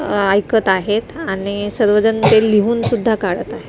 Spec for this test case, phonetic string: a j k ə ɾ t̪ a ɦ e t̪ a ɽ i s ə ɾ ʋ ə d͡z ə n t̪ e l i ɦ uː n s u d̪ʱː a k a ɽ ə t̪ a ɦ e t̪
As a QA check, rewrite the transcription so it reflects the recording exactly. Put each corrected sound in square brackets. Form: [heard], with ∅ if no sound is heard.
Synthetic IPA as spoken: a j k ə [∅] t̪ a ɦ e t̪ a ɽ i s ə ɾ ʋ ə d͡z ə n t̪ e l i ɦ uː n s u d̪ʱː a k a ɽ ə t̪ a ɦ e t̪